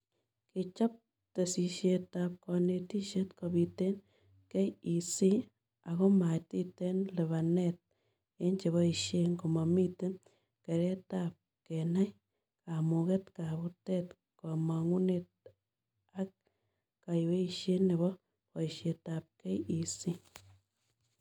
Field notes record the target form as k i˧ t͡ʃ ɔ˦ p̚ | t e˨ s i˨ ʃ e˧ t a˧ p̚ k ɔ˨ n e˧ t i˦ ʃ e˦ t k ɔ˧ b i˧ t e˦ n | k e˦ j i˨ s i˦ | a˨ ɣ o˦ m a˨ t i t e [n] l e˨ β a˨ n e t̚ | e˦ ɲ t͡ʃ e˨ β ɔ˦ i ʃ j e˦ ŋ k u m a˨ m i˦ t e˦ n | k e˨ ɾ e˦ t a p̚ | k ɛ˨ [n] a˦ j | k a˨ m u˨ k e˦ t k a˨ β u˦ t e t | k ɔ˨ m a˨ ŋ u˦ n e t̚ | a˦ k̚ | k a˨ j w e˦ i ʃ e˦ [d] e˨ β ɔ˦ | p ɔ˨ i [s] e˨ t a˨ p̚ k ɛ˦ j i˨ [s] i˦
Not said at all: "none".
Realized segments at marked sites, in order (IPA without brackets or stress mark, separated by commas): n, n, n, ʃ, s